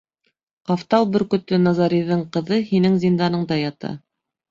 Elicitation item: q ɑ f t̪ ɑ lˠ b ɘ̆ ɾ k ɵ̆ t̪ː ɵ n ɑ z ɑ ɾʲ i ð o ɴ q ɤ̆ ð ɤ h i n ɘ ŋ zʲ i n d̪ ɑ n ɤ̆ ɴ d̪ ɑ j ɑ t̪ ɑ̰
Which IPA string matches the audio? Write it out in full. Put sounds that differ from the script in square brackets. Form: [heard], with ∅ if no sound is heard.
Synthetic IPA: q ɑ f t̪ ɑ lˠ b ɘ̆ ɾ k ɵ̆ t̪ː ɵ n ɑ z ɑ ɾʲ i ð [ɤ] ɴ q ɤ̆ ð ɤ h i n ɘ ŋ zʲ i n d̪ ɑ n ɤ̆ ɴ d̪ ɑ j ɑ t̪ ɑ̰

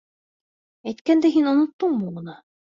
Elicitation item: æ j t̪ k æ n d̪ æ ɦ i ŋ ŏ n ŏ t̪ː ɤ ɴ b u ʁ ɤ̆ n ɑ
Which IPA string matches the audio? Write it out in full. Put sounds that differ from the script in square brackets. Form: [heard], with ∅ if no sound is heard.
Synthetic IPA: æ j t̪ k æ n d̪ æ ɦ i [n] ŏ n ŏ t̪ː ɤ ɴ b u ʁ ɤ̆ n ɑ

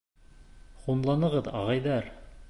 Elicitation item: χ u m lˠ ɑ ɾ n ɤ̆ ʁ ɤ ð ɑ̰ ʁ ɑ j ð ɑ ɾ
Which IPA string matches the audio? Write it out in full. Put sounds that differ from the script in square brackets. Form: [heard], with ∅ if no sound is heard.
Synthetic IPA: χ u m lˠ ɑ [∅] n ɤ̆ ʁ ɤ ð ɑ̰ ʁ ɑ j ð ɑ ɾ

